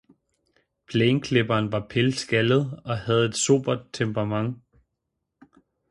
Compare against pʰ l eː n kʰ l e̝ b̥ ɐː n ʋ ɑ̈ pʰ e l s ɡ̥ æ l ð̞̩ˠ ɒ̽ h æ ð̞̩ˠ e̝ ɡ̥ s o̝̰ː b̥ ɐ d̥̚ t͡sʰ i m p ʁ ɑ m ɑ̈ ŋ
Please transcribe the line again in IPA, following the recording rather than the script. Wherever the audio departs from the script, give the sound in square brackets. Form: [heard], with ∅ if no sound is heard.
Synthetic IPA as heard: pʰ l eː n kʰ l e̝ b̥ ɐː n ʋ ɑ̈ pʰ e l s ɡ̥ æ l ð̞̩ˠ ɒ̽ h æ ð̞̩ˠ e̝ [d̥] s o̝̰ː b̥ ɐ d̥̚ t͡sʰ [e] m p ʁ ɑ m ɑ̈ ŋ

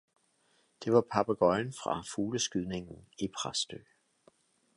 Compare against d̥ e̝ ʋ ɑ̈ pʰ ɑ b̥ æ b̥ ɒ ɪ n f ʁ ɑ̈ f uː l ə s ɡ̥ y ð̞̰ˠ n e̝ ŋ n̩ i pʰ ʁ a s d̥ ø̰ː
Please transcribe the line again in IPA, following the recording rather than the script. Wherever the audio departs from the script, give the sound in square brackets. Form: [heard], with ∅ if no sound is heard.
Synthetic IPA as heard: d̥ e̝ ʋ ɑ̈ pʰ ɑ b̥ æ [ɡ̥] ɒ ɪ n f ʁ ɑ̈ f uː l ə s ɡ̥ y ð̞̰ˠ n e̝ ŋ n̩ i pʰ ʁ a s d̥ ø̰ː

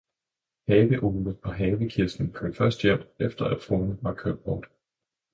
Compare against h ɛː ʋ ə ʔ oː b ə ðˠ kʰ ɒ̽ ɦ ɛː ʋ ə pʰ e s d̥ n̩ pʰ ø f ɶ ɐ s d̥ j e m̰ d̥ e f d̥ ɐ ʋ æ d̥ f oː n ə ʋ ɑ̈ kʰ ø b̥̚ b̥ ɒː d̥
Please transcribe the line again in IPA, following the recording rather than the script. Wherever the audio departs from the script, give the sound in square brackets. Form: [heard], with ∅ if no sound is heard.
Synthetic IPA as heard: h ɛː ʋ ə ʔ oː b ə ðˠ [pʰ] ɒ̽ ɦ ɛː ʋ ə [kʰ] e s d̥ n̩ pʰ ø f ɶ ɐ s d̥ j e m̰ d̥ e f d̥ ɐ [∅] æ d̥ f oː n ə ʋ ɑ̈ kʰ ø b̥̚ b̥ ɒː d̥

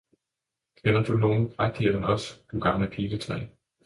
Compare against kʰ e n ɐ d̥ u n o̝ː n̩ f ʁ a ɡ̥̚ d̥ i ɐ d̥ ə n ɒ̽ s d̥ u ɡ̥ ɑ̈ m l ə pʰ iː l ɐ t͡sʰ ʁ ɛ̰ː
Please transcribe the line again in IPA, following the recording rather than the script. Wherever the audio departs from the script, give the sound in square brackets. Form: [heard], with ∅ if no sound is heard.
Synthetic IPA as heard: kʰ e n ɐ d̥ u n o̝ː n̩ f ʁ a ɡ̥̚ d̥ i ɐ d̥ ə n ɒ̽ s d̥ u ɡ̥ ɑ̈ m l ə pʰ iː l [ə] t͡sʰ ʁ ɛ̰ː

